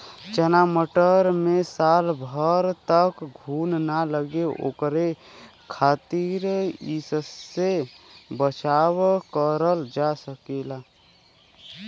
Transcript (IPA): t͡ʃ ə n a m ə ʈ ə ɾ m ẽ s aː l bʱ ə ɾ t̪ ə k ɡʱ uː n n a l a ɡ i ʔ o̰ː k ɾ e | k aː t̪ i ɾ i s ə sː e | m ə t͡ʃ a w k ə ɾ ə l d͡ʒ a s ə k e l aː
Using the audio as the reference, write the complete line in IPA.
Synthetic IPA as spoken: t͡ʃ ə n a m ə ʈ ə ɾ m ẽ s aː l bʱ ə ɾ t̪ ə k ɡʱ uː n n a l ə ɡ e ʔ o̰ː k ɾ e | kʰ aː t̪ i ɾ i s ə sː e | b ə t͡ʃ a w k ə ɾ ə l d͡ʒ a s ə k e l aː